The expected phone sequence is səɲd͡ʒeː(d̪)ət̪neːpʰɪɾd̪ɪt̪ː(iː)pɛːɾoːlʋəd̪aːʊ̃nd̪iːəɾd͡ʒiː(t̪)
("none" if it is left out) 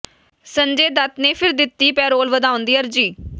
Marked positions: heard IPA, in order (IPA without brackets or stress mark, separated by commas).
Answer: d̪, iː, none